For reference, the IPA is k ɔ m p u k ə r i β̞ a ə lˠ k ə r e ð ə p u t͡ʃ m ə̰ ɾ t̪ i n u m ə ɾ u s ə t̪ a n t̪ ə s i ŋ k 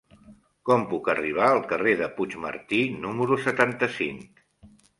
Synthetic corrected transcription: k ɔ m p u k ə r i β̞ a ə lˠ k ə r e ð ə p u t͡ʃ m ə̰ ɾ t̪ i n u m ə ɾ u s ə t̪ a n t̪ ə s i ŋ k